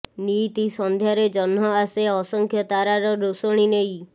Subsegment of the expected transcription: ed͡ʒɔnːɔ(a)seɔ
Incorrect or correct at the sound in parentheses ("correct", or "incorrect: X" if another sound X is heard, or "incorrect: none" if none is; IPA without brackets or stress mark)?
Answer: correct